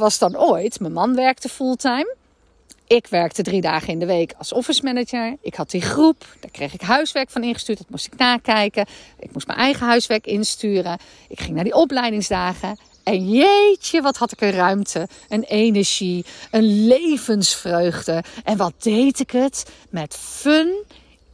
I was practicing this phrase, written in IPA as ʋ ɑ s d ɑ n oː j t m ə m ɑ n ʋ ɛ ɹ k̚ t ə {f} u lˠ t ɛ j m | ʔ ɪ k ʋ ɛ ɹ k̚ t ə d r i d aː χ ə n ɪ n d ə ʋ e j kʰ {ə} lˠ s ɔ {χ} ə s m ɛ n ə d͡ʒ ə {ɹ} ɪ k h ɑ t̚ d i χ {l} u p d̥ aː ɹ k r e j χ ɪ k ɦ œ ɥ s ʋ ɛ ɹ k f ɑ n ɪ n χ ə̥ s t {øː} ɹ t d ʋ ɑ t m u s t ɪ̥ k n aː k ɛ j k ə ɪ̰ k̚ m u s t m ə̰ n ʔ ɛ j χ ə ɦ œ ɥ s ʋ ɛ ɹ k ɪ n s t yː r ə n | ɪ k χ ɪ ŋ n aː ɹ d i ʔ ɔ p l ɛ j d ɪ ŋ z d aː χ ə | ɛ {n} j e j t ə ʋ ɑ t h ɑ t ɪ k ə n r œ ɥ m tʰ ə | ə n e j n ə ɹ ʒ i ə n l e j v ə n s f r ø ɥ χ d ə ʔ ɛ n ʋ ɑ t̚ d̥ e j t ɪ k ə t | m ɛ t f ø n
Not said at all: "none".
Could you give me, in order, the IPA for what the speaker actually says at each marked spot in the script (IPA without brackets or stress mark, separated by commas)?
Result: f, ɑ, f, ɹ, r, yː, n